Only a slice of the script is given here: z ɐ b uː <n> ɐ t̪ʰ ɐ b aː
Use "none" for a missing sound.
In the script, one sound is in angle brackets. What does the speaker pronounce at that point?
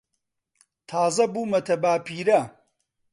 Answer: m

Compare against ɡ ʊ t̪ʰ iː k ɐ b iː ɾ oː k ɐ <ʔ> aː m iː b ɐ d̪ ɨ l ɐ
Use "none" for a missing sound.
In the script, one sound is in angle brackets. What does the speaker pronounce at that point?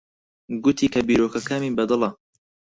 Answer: k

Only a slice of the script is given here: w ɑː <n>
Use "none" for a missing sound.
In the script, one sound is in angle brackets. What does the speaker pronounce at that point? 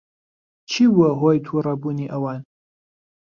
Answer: n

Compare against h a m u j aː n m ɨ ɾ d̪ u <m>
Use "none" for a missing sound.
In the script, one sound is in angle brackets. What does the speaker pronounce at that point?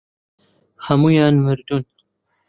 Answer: n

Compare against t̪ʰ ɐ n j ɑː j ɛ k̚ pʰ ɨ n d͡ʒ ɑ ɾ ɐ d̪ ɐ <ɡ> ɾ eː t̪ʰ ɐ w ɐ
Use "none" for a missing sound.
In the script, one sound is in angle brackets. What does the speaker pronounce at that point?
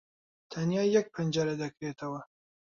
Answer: k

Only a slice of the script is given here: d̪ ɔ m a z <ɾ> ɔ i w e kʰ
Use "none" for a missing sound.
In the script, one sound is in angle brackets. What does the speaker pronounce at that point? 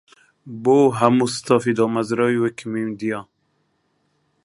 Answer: ɾ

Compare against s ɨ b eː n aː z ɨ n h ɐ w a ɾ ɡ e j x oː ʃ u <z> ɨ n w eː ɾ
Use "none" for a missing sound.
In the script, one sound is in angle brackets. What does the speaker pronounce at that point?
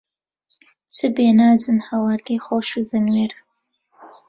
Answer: z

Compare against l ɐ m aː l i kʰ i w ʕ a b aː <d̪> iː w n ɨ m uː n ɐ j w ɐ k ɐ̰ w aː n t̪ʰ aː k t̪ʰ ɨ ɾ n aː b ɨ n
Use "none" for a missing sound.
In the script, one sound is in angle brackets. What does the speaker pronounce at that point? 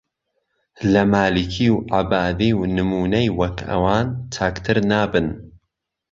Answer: d̪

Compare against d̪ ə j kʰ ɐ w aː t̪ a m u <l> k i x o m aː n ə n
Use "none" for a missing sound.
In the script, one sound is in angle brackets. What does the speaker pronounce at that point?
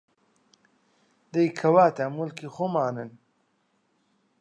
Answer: l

